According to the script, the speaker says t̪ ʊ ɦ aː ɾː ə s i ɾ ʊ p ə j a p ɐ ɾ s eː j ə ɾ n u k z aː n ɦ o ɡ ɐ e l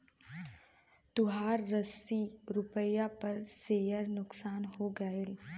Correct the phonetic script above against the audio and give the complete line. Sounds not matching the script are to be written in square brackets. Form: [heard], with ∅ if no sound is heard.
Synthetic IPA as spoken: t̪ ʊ ɦ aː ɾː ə s i ɾ ʊ p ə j a p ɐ ɾ s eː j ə ɾ n [ʊ] k [s] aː n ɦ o ɡ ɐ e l